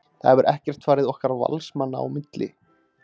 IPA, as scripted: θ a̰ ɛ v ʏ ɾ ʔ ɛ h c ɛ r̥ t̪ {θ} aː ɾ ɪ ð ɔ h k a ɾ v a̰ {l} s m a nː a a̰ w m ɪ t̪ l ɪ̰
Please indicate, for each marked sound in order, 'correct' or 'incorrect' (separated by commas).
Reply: incorrect, correct